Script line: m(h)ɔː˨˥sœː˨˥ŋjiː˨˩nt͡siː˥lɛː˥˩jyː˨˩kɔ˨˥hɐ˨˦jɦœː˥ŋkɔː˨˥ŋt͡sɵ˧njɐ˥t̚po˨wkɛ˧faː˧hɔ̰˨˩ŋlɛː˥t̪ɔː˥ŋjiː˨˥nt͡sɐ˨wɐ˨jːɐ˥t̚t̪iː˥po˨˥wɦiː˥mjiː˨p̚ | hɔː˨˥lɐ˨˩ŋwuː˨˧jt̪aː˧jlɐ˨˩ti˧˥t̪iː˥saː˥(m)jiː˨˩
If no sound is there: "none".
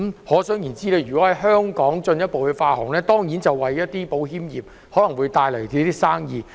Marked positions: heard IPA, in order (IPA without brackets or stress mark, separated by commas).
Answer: h, ŋ